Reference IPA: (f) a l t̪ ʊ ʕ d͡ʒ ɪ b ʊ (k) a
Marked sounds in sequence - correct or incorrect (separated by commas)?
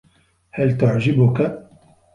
incorrect, correct